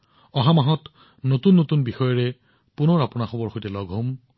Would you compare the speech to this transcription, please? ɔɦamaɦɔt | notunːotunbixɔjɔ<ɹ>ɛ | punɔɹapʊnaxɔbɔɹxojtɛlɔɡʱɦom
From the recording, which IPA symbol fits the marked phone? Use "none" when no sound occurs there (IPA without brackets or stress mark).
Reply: ɹ